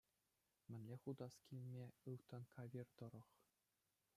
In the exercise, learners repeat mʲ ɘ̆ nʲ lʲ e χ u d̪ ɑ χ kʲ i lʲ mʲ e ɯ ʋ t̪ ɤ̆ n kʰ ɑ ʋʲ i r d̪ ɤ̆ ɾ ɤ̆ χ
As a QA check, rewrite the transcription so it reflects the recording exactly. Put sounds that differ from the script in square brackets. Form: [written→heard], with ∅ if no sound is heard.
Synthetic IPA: mʲ ɘ̆ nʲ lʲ e χ u d̪ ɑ [χ→s] kʲ i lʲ mʲ e ɯ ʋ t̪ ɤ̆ n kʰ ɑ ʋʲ i r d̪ ɤ̆ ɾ ɤ̆ χ